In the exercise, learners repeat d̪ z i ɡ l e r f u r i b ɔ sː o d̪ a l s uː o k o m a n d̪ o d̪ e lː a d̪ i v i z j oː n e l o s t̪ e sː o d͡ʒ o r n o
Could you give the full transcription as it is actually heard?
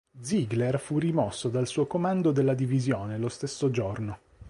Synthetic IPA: d̪ z i ɡ l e r f u r i m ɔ sː o d̪ a l s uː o k o m a n d̪ o d̪ e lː a d̪ i v i z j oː n e l o s t̪ e sː o d͡ʒ o r n o